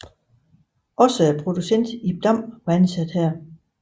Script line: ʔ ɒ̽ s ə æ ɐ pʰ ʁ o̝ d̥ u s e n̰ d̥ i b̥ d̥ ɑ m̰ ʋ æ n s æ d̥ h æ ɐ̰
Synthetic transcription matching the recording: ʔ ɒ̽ s ə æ ɐ pʰ ʁ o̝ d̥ u s e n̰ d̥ i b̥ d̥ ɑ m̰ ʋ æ n s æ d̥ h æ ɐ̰